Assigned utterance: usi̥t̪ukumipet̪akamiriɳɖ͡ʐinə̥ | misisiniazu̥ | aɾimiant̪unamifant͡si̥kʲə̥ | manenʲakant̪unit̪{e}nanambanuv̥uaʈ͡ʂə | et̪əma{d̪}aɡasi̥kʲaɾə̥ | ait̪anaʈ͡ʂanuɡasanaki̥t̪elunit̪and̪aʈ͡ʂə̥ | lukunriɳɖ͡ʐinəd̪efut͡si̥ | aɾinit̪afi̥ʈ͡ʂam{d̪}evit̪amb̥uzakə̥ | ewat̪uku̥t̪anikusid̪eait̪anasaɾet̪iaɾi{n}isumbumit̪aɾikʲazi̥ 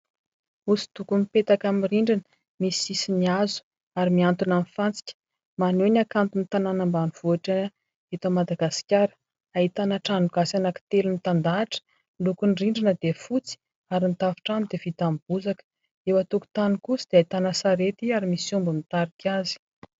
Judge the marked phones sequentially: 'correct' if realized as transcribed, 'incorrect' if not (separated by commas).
incorrect, correct, correct, incorrect